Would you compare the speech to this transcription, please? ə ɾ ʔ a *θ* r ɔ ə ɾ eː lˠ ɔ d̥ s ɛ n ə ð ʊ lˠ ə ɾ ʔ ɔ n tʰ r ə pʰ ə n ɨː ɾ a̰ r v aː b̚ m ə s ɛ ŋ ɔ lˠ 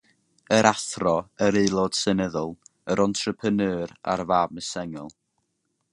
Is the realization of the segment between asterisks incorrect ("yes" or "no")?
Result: no